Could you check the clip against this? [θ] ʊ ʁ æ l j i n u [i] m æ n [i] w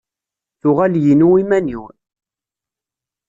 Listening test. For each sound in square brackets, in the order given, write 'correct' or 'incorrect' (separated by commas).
correct, correct, correct